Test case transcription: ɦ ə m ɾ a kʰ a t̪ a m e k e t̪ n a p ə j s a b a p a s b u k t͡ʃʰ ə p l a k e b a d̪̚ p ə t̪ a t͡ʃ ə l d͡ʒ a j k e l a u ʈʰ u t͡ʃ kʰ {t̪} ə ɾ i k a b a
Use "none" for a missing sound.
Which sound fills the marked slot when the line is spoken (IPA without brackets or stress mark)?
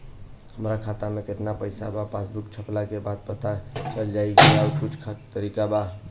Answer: t̪